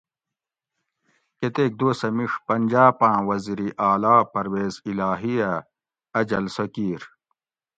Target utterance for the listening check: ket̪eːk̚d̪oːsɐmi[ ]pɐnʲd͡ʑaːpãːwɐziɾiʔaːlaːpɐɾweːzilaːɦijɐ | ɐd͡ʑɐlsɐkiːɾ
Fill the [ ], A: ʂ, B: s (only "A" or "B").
A